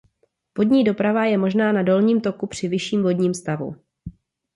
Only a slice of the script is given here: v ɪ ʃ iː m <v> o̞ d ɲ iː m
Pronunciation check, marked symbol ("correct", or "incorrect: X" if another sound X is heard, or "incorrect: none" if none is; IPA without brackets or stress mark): correct